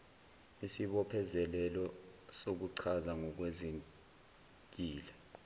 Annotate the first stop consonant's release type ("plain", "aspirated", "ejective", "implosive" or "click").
implosive